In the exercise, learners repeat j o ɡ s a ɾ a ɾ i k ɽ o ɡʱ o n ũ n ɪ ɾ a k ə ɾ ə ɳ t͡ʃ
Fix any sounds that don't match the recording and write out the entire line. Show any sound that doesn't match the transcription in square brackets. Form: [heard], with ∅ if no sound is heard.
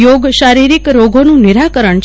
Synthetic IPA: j o ɡ [ʃ] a ɾ [i] ɾ i k [ɾ] o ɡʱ o n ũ n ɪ ɾ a k ə ɾ ə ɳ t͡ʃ

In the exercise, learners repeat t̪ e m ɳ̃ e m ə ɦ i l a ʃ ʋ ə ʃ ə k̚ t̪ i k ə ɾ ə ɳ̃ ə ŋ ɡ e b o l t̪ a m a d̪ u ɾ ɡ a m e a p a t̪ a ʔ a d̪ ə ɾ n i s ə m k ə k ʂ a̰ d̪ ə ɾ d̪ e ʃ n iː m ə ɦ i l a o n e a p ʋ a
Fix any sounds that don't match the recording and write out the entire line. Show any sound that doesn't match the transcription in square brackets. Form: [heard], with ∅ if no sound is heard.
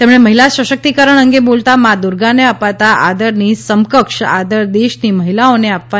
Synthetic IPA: t̪ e m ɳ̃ e m ə ɦ i l a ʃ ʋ ə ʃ ə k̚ t̪ i k ə ɾ ə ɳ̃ ə ŋ ɡ e b o l t̪ a m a d̪ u ɾ ɡ a [n] e a p a t̪ a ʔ a d̪ ə ɾ n i s ə m k ə k ʂ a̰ d̪ ə ɾ d̪ e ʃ n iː m ə ɦ i l a o n e a p ʋ a

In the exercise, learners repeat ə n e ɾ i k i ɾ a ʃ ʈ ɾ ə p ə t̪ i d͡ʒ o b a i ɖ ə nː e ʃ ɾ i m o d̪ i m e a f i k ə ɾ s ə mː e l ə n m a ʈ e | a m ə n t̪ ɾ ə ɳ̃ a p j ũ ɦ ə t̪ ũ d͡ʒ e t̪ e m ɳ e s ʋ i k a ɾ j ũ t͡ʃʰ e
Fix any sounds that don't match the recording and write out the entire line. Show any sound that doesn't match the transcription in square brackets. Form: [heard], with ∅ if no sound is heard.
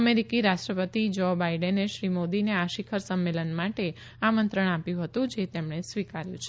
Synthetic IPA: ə [m] e ɾ i k i ɾ a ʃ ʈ ɾ ə p ə t̪ i d͡ʒ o b a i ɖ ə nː e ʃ ɾ i m o d̪ i [n] e a [ʃ] i [kʰ] ə ɾ s ə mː e l ə n m a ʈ e | a m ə n t̪ ɾ ə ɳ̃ a p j ũ ɦ ə t̪ ũ d͡ʒ e t̪ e m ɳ e s ʋ i k a ɾ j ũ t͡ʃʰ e

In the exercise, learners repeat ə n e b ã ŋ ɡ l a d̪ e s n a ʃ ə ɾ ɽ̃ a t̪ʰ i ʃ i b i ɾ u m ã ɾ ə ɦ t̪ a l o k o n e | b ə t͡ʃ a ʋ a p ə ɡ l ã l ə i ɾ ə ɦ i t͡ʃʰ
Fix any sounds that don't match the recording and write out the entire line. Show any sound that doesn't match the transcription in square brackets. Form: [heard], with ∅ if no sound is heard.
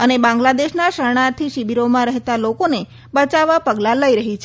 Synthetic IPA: ə n e b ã ŋ ɡ l a d̪ e [ʃ] n a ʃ ə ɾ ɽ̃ a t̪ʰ i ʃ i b i ɾ [o] m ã ɾ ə ɦ t̪ a l o k o n e | b ə t͡ʃ a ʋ a p ə ɡ l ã l ə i ɾ ə ɦ i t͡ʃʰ

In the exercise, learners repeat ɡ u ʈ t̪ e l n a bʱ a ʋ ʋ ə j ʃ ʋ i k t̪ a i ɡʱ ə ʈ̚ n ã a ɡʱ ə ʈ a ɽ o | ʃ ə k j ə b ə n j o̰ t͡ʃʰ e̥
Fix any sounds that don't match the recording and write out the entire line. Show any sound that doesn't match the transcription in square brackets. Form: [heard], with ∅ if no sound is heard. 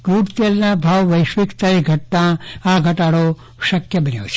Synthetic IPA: ɡ u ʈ t̪ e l n a bʱ a ʋ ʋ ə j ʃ ʋ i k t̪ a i ɡʱ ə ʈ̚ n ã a ɡʱ ə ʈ a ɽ o | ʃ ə k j ə b ə n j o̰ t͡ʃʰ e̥

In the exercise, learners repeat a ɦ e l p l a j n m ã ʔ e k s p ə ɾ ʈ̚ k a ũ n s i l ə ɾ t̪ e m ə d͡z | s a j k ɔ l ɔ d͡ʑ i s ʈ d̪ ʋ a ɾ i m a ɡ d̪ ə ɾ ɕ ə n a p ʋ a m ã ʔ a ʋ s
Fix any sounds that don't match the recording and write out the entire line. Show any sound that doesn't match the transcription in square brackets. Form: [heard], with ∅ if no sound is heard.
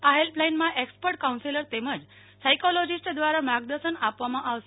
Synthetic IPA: a ɦ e l p l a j n m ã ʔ e k s p ə ɾ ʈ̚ k a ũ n s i l ə ɾ t̪ e m ə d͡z | s a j k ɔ l ɔ d͡ʑ i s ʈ d̪ ʋ a ɾ [a] m a ɡ d̪ ə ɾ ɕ ə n a p ʋ a m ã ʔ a ʋ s

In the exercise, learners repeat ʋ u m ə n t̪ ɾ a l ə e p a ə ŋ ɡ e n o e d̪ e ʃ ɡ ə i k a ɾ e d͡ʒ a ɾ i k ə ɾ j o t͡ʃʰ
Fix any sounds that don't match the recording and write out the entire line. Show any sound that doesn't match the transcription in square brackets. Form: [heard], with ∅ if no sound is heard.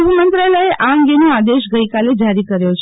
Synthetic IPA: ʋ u m ə n t̪ ɾ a l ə e [ʔ] a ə ŋ ɡ e n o [a] d̪ e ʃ ɡ ə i k a [l] e d͡ʒ a ɾ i k ə ɾ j o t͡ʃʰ

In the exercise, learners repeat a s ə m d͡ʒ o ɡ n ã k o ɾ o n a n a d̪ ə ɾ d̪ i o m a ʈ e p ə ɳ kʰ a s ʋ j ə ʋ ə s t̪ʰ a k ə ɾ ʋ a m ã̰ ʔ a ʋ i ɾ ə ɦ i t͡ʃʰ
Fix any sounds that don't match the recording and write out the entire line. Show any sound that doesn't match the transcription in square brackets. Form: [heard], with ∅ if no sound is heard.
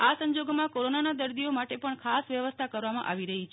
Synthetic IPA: a s ə [ɲ] d͡ʒ o ɡ [m] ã k o ɾ o n a n a d̪ ə ɾ d̪ i o m a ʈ e p ə ɳ kʰ a s ʋ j ə ʋ ə s t̪ʰ a k ə ɾ ʋ a m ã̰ ʔ a ʋ i ɾ ə ɦ i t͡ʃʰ

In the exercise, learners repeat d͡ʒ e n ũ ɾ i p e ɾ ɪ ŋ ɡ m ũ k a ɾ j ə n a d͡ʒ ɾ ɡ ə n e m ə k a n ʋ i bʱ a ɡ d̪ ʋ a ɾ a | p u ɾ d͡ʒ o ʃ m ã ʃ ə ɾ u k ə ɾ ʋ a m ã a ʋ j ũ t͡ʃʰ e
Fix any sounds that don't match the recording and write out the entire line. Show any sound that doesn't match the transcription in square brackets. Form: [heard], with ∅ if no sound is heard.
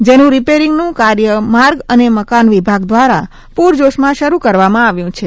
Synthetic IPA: d͡ʒ e n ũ ɾ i p e ɾ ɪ ŋ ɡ [n] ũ k a ɾ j ə [m] a [∅] ɾ ɡ ə n e m ə k a n ʋ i bʱ a ɡ d̪ ʋ a ɾ a | p u ɾ d͡ʒ o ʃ m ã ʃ ə ɾ u k ə ɾ ʋ a m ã a ʋ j ũ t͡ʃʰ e

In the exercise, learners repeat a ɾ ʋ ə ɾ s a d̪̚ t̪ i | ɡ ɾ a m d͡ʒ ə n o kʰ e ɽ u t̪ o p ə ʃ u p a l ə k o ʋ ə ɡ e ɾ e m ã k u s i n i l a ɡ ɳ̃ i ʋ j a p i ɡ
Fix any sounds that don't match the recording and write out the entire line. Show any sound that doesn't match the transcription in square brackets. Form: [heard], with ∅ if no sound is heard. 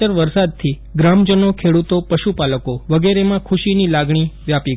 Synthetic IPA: [ə] ɾ ʋ ə ɾ s a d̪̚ [t̪ʰ] i | ɡ ɾ a m d͡ʒ ə n o kʰ e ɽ u t̪ o p ə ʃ u p a l ə k o ʋ ə ɡ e ɾ e m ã [kʰ] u [ʃ] i n i l a ɡ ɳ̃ i ʋ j a p i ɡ

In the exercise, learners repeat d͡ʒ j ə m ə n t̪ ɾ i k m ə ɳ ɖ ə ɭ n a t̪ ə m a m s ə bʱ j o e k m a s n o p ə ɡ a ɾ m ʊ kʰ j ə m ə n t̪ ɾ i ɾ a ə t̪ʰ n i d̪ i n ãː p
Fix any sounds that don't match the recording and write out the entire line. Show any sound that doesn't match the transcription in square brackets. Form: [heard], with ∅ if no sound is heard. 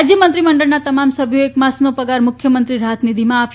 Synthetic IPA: d͡ʒ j ə m ə n t̪ ɾ i [∅] m ə ɳ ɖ ə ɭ n a t̪ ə m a m s ə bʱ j o e k m a s n o p ə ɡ a ɾ m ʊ kʰ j ə m ə n t̪ ɾ i ɾ a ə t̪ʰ n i d̪ i [m] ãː p

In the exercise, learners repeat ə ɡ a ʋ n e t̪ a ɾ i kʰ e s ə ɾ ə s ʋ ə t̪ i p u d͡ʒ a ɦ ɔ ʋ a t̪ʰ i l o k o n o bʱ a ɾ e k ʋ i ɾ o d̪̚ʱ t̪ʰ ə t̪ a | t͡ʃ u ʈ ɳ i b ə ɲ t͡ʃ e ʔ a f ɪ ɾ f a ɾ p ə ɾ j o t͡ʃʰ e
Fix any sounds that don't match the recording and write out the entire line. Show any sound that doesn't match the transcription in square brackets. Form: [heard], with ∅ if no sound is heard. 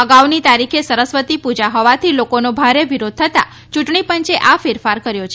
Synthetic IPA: ə ɡ a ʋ n [i] t̪ a ɾ i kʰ e s ə ɾ ə s ʋ ə t̪ i p u d͡ʒ a ɦ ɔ ʋ a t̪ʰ i l o k o n o bʱ a ɾ e [∅] ʋ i ɾ o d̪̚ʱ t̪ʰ ə t̪ a | t͡ʃ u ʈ ɳ i [p] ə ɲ t͡ʃ e ʔ a f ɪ ɾ f a ɾ [k] ə ɾ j o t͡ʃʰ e

